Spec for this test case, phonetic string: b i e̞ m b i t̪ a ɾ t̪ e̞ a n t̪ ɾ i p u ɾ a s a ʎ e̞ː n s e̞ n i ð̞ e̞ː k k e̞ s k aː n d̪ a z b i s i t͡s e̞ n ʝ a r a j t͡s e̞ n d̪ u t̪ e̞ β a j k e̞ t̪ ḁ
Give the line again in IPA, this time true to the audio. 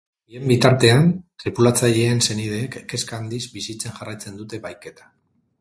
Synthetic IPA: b i e̞ m b i t̪ a ɾ t̪ e̞ a n t̪ ɾ i p u l a t͡s a ʎ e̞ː n s e̞ n i ð̞ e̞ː k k e̞ s k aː n d̪ i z b i s i t͡s e̞ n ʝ a r a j t͡s e̞ n d̪ u t̪ e̞ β a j k e̞ t̪ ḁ